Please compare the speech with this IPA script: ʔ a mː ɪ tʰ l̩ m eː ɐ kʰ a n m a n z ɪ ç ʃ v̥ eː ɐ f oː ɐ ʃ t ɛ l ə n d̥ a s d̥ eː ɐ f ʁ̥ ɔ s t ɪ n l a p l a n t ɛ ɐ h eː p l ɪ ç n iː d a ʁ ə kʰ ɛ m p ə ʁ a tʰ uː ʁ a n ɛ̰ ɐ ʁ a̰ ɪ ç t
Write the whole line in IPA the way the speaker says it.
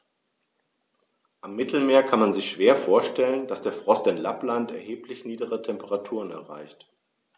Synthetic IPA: ʔ a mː ɪ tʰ l̩ m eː ɐ kʰ a n m a n z ɪ ç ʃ v̥ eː ɐ f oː ɐ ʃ t ɛ l ə n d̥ a s d̥ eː ɐ f ʁ̥ ɔ s t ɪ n l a p l a n t ɛ ɐ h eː p l ɪ ç n iː d ə ʁ ə tʰ ɛ m p ə ʁ a tʰ uː ʁ ə n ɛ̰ ɐ ʁ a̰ ɪ ç t